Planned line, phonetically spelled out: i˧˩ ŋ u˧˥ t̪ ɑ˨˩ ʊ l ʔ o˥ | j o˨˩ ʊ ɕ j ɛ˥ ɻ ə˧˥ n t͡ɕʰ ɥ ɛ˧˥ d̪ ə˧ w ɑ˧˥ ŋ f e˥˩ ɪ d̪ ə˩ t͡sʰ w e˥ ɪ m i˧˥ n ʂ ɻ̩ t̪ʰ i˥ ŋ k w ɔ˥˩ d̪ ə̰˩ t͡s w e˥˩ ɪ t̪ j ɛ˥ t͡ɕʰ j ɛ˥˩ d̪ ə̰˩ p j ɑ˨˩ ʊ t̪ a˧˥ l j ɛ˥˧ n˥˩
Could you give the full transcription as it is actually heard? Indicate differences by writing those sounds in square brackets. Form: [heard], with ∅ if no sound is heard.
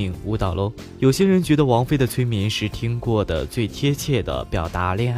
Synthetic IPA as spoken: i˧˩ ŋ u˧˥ t̪ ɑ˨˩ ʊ l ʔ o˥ | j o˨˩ ʊ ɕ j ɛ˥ ɻ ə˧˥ n [t͡ɕ] ɥ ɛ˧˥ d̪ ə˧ w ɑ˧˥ ŋ f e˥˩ ɪ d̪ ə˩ t͡sʰ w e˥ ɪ m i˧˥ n ʂ ɻ̩ t̪ʰ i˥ ŋ k w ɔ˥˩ d̪ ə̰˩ t͡s w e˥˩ ɪ [t̪ʰ] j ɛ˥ t͡ɕʰ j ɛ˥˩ d̪ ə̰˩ p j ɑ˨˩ ʊ t̪ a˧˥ l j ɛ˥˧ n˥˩